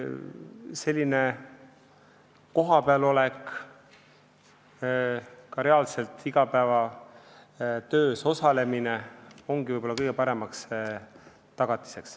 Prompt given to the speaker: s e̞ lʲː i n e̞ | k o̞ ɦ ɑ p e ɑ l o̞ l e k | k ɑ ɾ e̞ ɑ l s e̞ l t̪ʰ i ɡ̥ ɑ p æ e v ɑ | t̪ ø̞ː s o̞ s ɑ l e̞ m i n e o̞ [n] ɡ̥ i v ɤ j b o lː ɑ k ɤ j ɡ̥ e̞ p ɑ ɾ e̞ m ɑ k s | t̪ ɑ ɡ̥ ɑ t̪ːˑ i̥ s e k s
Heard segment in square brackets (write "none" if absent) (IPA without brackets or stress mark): ŋ